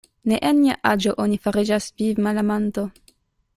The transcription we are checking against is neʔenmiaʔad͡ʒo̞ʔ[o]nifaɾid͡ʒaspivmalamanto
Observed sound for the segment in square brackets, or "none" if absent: o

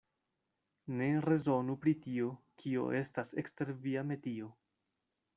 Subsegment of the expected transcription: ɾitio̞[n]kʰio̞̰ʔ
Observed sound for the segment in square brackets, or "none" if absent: none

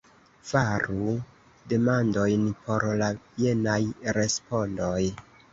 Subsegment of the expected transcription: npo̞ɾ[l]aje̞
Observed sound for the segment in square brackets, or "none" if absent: l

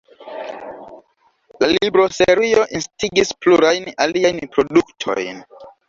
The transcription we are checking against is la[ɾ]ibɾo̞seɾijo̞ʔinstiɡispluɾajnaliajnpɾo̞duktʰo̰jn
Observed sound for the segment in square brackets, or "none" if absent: l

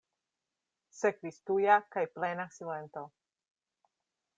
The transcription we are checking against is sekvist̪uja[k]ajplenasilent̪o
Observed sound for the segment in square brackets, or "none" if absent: k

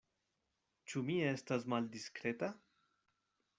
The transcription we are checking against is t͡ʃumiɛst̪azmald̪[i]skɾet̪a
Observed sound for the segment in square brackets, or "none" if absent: i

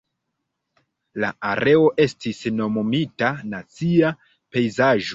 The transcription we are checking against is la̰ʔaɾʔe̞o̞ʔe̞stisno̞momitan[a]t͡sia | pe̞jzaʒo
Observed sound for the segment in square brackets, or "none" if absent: a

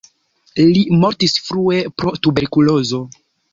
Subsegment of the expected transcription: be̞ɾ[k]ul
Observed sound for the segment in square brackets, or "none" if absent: k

